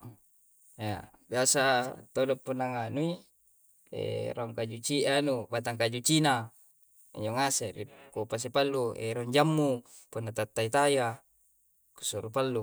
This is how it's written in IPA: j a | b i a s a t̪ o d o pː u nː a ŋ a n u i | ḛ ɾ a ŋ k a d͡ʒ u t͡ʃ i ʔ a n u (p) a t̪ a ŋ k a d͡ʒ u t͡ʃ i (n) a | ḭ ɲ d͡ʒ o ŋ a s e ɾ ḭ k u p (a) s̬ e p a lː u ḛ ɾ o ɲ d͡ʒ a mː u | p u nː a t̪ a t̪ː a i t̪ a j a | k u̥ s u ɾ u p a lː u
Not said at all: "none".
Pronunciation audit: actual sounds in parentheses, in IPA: b, n, a

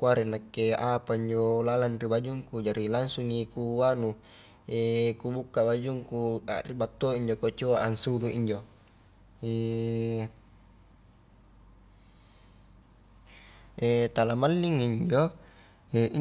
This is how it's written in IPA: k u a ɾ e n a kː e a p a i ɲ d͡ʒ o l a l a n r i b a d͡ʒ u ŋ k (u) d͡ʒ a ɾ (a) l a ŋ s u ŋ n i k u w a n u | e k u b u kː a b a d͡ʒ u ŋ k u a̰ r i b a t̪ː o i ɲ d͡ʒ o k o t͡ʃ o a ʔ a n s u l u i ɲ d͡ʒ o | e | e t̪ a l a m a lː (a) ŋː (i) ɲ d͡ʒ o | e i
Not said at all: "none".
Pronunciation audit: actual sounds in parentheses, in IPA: u, i, i, i

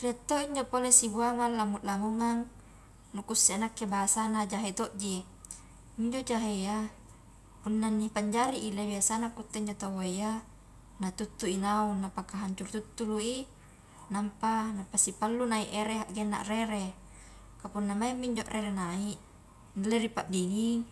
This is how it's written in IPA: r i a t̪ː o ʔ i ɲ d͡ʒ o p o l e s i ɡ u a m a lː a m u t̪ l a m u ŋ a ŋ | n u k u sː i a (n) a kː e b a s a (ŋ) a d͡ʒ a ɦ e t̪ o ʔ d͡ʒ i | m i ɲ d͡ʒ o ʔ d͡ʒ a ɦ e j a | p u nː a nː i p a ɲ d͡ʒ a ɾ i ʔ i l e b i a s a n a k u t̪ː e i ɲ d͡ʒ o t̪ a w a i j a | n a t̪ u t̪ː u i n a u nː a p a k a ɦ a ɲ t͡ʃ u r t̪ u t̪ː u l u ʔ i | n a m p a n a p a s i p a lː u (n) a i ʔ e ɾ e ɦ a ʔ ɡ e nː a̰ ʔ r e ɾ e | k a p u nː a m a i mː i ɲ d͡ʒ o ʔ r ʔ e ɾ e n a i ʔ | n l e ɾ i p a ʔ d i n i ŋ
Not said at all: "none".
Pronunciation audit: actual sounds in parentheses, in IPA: n, n, n

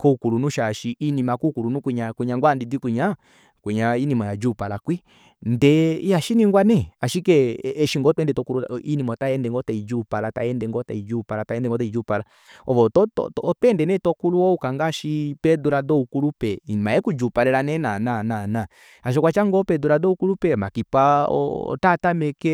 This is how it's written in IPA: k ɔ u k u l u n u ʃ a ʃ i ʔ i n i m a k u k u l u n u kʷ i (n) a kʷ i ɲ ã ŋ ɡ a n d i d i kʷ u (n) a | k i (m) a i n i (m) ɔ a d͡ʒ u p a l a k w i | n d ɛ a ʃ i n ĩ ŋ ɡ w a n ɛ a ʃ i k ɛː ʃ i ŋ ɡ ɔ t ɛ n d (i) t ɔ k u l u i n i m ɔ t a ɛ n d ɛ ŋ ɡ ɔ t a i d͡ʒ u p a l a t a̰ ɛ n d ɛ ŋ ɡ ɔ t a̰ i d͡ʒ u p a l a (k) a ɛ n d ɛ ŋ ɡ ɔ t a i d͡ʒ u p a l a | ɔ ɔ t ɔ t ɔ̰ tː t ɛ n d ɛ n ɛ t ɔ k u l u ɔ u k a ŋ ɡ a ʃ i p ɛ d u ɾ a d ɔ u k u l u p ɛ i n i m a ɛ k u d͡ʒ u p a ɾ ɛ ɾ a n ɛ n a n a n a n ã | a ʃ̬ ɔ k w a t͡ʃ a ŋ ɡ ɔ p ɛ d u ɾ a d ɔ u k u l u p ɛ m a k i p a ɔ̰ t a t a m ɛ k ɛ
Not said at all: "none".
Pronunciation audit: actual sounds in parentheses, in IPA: ɲ, ɲ, ɲ, m, ɛ, t

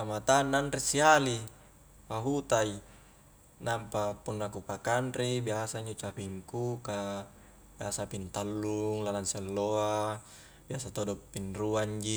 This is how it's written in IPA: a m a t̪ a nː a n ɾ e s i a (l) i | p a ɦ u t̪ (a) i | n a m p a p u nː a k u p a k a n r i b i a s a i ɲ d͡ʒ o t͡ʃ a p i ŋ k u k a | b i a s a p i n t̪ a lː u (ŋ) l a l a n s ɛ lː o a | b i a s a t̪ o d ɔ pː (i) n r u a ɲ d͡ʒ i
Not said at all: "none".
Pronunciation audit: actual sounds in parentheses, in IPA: l, a, ŋ, i

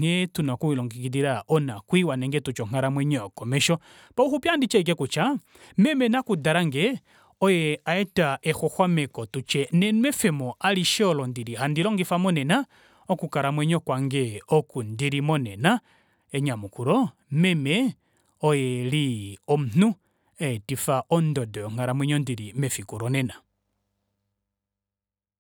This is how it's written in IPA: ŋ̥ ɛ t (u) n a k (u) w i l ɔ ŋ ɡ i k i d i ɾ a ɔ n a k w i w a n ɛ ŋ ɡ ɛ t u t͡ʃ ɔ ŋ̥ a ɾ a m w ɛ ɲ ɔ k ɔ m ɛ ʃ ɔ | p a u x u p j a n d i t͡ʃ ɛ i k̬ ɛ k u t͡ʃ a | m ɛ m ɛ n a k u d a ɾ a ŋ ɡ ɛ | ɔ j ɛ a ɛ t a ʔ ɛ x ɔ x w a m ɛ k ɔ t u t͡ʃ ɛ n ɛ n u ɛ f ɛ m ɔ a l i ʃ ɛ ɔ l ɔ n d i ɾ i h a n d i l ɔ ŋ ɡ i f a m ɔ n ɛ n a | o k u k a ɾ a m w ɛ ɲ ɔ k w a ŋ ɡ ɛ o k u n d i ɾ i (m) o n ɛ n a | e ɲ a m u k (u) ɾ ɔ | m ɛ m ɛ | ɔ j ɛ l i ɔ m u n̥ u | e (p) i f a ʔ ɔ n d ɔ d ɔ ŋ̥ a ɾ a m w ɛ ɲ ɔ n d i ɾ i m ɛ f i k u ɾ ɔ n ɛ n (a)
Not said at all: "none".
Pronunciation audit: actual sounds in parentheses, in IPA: u, u, m, u, t, a

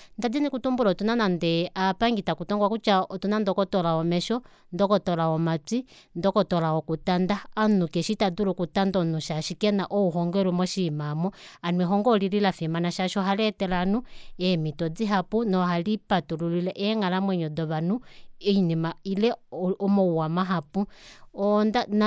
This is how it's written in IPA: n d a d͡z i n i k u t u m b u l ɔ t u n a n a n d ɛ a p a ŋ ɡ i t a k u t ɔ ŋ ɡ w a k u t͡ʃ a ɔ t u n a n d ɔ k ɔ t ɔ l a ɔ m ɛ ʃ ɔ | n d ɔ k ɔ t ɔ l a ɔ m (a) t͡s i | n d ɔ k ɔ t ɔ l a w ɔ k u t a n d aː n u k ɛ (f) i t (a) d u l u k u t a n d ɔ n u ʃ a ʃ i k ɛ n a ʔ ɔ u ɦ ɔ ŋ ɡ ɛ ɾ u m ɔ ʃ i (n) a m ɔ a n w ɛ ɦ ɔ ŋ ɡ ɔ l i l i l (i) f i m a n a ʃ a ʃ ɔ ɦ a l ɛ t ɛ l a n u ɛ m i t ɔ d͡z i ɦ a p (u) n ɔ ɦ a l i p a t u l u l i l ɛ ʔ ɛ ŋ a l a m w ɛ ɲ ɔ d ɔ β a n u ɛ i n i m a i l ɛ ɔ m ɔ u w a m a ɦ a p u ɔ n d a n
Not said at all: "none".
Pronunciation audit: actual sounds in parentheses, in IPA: a, ʃ, a, m, a, u

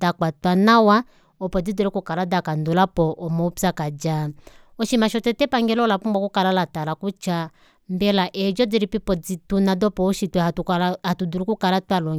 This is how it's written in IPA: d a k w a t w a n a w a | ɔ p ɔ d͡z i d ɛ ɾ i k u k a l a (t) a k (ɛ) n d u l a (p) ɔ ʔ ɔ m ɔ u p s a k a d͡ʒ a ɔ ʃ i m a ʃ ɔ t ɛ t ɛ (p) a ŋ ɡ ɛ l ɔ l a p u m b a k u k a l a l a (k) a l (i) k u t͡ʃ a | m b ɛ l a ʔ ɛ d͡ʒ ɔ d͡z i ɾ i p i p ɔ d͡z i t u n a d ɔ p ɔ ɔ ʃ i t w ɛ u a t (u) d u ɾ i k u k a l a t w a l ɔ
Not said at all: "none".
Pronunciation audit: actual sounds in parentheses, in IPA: d, a, p, p, t, a, u

